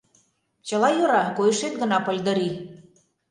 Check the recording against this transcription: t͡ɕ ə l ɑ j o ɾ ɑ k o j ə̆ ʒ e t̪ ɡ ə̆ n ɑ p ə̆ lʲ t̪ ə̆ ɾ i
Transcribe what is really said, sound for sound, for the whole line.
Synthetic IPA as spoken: t͡ɕ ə l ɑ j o ɾ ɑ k o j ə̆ ʃ e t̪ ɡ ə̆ n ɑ p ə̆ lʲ d̪ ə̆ ɾ i